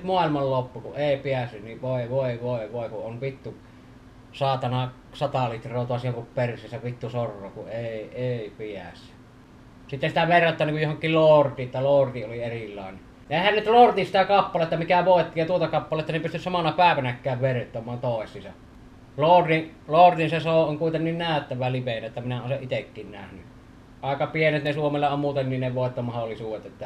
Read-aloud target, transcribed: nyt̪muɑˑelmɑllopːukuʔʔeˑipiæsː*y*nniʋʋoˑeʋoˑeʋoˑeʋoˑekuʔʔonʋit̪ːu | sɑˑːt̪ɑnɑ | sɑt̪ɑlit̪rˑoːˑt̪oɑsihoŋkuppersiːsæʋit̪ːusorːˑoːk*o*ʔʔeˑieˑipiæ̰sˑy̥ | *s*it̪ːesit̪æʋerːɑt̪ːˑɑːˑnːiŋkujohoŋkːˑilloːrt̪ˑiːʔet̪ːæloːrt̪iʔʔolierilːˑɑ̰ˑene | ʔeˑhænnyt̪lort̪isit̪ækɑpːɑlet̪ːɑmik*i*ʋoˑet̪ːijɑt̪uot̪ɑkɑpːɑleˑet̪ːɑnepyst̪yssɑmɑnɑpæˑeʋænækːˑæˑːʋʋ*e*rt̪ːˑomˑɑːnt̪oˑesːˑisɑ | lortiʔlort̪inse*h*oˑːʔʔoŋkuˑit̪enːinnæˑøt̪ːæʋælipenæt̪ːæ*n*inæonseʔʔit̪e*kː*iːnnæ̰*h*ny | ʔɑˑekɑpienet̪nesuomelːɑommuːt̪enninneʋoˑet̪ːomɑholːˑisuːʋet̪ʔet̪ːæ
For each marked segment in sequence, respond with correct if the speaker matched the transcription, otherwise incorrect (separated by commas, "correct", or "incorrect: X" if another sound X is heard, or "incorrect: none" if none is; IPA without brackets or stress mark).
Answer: correct, incorrect: u, correct, incorrect: æ, correct, incorrect: s, incorrect: m, correct, correct